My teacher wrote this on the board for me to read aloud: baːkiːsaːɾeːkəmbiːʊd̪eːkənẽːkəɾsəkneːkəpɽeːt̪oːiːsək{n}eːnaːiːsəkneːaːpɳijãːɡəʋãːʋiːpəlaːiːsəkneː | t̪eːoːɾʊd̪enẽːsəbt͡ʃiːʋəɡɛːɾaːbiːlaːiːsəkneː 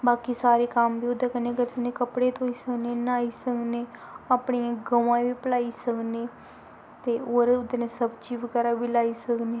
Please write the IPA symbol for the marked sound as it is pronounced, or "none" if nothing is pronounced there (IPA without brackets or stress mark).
n